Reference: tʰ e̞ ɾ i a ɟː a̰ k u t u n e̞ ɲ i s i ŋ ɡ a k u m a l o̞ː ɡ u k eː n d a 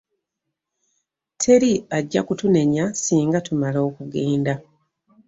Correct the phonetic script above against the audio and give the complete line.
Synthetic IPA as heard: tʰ e̞ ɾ i a ɟː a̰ k u t u n e̞ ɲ a s iː ŋ ɡ a t u m a l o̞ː k u ɡ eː n d a

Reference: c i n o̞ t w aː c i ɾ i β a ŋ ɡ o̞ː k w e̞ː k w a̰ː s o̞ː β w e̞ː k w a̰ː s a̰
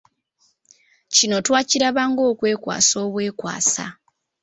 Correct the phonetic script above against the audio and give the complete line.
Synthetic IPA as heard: c i n o̞ t w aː c i ɾ a β a ŋ ɡ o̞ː k w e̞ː k w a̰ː s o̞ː β w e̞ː k w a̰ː s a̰

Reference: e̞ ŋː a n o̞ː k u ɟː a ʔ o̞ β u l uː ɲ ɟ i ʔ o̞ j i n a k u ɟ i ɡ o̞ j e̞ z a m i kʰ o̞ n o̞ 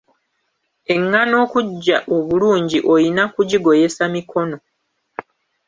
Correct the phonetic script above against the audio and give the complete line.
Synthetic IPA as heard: e̞ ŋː a n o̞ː k u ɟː a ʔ o̞ β u l uː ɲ ɟ i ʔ o̞ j i n a k u ɟ i ɡ o̞ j e̞ s a m i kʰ o̞ n o̞

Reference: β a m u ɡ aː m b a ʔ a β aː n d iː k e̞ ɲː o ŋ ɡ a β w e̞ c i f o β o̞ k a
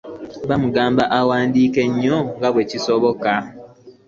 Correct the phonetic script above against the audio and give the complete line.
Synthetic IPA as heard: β a m u ɡ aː m b a ʔ a w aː n d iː k e̞ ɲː o ŋ ɡ a β w e̞ c i s o β o̞ k a

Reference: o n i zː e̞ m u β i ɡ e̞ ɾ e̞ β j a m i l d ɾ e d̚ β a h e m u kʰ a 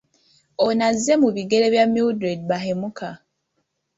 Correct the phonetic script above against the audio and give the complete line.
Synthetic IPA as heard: o n a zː e̞ m u β i ɡ e̞ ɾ e̞ β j a m i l d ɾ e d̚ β a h e m u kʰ a

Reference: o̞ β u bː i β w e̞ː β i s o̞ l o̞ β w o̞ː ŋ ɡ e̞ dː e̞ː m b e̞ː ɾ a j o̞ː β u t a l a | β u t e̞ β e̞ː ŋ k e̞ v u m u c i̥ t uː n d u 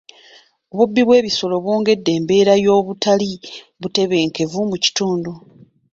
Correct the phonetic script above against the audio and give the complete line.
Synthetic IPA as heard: o̞ β u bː i β w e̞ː β i s o̞ l o̞ β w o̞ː ŋ ɡ e̞ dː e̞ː m b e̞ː ɾ a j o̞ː β u t a l i | β u t e̞ β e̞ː ŋ k e̞ v u m u c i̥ t uː n d u

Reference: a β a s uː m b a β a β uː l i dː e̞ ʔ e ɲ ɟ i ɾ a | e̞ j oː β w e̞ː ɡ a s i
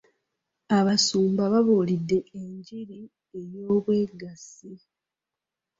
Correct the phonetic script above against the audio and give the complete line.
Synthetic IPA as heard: a β a s uː m b a β a β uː l i dː e̞ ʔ e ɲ ɟ i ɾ i | e̞ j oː β w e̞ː ɡ a s i

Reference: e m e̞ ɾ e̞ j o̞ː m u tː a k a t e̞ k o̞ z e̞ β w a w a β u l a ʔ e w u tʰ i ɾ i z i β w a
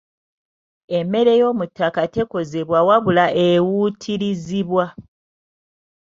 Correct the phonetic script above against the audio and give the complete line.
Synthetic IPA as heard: e m e̞ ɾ e̞ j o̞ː m u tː a k a t e̞ k o̞ z e̞ β w a w a β u l a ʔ e w u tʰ i ɾ i z i β w a

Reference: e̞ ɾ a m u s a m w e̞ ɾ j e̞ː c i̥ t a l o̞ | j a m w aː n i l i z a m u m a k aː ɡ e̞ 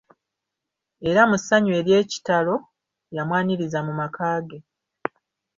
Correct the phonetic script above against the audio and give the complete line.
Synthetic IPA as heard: e̞ ɾ a m u s a ɲ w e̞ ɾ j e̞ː c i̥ t a l o̞ | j a m w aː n i ɾ i z a m u m a k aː ɡ e̞

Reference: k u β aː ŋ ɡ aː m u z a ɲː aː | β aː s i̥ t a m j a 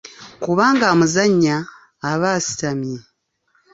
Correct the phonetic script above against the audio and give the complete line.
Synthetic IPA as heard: k u β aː ŋ ɡ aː m u z a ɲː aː | β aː s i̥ t a m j e

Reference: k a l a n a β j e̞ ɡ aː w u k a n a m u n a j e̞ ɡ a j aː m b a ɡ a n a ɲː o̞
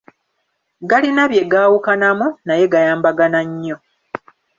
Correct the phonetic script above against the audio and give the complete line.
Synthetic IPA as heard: ɡ a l i n a β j e̞ ɡ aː w u k a n a m u n a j e̞ ɡ a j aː m b a ɡ a n a ɲː o̞

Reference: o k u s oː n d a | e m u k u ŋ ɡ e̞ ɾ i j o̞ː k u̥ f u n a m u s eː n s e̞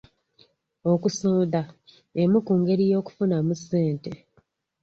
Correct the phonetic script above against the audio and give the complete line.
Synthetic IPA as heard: o k u s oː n d a | e m u k u ŋ ɡ e̞ ɾ i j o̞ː k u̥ f u n a m u s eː n t e̞

